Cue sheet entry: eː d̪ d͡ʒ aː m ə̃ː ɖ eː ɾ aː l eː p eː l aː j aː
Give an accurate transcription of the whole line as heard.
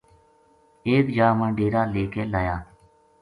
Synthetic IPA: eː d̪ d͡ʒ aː m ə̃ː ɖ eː ɾ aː l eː k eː l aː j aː